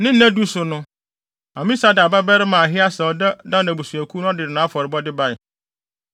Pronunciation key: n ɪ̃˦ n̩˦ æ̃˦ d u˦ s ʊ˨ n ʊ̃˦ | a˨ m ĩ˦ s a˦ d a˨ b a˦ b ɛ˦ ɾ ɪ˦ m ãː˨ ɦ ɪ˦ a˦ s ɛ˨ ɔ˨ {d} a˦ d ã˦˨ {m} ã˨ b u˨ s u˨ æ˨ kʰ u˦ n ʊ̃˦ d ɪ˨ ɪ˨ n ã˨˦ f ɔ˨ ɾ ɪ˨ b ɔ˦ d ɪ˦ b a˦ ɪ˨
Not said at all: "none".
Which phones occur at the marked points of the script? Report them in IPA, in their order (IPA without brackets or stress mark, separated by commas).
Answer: d, n